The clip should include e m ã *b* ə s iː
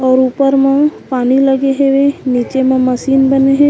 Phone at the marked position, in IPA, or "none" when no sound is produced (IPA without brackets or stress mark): m